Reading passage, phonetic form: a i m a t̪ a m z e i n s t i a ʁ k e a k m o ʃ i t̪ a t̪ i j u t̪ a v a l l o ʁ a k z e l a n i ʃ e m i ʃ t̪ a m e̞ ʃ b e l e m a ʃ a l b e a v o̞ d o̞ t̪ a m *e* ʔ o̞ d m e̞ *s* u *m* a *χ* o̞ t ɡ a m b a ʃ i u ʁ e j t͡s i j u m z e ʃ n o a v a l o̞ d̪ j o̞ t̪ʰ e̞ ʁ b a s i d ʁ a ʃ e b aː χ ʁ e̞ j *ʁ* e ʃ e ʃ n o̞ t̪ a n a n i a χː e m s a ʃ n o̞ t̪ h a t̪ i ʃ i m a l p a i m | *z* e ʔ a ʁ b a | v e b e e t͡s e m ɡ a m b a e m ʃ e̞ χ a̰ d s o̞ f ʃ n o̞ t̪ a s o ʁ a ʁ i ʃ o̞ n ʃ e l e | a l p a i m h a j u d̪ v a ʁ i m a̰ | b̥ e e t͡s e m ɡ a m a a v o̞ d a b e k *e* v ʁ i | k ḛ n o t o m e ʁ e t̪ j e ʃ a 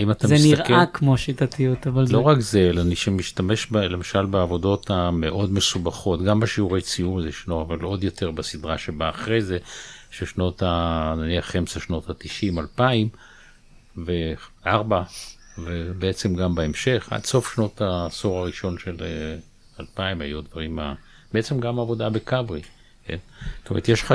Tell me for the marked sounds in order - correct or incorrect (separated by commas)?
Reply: correct, correct, incorrect, correct, incorrect, incorrect, incorrect